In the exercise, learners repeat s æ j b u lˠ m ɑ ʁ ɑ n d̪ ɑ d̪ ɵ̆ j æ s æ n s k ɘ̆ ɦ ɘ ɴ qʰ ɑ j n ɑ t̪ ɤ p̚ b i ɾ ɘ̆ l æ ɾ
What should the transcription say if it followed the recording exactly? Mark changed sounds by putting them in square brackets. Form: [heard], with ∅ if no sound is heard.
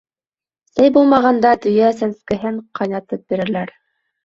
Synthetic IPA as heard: s æ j b u lˠ m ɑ ʁ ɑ n d̪ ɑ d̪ ɵ̆ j æ s æ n s k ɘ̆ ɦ ɘ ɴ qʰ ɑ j n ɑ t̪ ɤ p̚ b i ɾ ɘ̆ l æ ɾ